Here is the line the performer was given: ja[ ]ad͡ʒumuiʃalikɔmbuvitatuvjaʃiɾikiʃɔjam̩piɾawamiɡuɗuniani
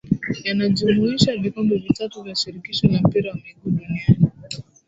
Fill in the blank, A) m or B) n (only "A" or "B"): B